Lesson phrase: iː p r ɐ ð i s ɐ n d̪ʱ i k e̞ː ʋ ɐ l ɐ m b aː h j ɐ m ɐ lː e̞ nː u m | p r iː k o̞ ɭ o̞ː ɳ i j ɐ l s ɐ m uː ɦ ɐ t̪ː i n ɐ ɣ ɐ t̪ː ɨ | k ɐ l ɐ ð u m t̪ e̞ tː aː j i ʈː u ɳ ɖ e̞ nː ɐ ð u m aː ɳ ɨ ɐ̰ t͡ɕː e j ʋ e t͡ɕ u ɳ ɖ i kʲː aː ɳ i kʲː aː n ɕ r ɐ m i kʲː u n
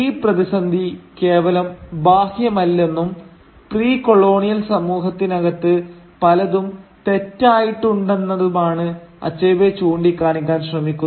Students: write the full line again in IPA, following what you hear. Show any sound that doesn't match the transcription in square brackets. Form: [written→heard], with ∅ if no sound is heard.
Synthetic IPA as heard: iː p r ɐ ð i s ɐ n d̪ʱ i k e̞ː ʋ ɐ l ɐ m b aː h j ɐ m ɐ lː e̞ nː u m | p r iː k o̞ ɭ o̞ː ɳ i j ɐ l s ɐ m uː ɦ ɐ t̪ː i n ɐ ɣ ɐ t̪ː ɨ | [k→p] ɐ l ɐ ð u m t̪ e̞ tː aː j i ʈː u ɳ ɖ e̞ nː ɐ ð u m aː ɳ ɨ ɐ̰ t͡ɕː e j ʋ e t͡ɕ [u→uː] ɳ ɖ i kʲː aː ɳ i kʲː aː n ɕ r ɐ m i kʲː u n